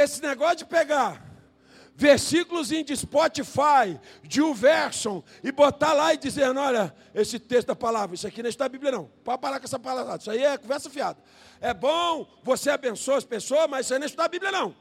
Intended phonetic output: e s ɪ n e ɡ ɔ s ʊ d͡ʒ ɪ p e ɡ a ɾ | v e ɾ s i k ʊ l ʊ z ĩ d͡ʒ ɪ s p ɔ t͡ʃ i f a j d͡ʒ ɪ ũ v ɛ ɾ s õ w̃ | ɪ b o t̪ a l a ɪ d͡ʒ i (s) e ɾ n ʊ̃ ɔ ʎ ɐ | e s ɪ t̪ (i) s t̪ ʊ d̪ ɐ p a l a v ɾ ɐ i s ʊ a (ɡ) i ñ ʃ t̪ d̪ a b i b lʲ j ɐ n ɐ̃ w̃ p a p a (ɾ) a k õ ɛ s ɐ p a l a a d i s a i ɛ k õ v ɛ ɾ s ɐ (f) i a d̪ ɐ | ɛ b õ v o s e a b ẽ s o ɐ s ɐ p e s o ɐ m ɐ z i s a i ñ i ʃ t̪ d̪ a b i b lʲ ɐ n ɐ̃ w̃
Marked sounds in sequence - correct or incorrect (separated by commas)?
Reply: incorrect, incorrect, incorrect, correct, correct